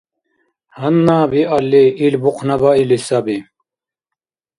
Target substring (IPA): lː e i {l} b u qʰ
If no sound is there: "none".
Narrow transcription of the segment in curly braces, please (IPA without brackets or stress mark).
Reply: l